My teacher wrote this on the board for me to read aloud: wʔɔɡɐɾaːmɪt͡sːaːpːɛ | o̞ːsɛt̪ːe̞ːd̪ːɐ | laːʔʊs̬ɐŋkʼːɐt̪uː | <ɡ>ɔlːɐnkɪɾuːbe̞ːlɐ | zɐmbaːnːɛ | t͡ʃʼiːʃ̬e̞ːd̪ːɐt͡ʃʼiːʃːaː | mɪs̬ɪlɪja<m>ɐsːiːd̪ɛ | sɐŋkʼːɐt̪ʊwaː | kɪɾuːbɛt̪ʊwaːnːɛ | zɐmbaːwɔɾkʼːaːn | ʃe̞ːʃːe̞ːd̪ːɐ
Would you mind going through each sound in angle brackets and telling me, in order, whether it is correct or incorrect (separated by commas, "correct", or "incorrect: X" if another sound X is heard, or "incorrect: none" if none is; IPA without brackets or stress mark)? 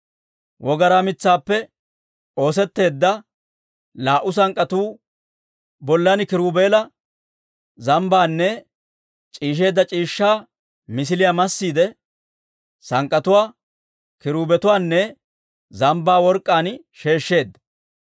incorrect: b, correct